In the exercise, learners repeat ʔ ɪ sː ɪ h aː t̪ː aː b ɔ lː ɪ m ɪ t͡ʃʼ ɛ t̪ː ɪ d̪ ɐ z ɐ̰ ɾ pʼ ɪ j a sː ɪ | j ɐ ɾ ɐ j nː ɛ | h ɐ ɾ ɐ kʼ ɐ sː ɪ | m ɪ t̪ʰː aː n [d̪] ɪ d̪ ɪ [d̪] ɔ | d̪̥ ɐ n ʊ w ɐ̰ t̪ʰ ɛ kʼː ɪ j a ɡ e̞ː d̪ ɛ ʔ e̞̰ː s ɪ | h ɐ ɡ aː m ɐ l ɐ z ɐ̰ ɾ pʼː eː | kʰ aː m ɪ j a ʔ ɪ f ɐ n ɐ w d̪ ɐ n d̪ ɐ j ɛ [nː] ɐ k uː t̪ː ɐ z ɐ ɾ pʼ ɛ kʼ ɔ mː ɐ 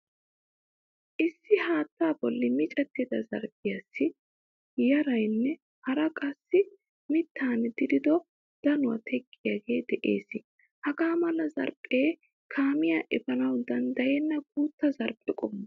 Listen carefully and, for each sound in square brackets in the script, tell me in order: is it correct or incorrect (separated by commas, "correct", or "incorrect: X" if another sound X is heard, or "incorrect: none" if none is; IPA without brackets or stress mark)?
correct, correct, correct